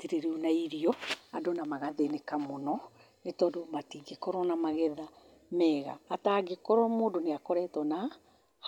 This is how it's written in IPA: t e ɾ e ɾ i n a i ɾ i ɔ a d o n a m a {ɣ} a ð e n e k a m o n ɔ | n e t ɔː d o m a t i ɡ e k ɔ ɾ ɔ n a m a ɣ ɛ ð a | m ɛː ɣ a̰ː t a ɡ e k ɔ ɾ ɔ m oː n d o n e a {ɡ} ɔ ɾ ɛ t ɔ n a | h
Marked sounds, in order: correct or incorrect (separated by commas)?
correct, incorrect